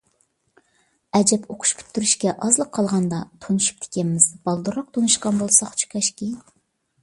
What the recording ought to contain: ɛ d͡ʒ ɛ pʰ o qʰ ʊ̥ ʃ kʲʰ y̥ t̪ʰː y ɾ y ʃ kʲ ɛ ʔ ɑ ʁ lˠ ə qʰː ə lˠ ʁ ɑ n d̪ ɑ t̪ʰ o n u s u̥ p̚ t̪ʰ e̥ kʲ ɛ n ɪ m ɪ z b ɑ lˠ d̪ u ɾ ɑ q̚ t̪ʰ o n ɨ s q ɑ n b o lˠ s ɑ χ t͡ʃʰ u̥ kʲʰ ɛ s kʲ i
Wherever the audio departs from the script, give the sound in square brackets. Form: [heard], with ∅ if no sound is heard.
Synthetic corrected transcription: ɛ d͡ʒ ɛ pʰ o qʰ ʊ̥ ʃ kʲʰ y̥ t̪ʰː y ɾ y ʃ kʲ ɛ ʔ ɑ [z] lˠ ə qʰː [ɑ] lˠ ʁ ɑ n d̪ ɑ t̪ʰ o n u [ʃ] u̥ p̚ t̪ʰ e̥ kʲ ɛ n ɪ m ɪ z b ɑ lˠ d̪ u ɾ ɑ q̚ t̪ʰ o n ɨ [ʃ] q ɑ n b o lˠ s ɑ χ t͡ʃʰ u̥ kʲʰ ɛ [ʃ] kʲ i